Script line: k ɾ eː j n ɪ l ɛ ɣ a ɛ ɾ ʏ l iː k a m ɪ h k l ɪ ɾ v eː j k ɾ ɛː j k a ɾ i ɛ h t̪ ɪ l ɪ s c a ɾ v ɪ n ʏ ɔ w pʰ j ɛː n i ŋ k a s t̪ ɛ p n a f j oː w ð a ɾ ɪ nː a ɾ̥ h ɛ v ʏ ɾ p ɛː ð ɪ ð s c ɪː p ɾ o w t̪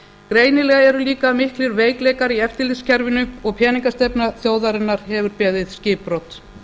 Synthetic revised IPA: k ɾ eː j n ɪ l ɛ ɣ a ɛ ɾ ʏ l iː k a m ɪ h k l ɪ ɾ v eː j k l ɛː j k a ɾ i ɛ f t̪ ɪ l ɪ s c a ɾ v ɪ n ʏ ɔ ɣ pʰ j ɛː n i ŋ k a s t̪ ɛ p n a θ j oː w ð a ɾ ɪ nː a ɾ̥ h ɛ v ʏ ɾ p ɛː ð ɪ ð s c ɪː p ɾ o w t̪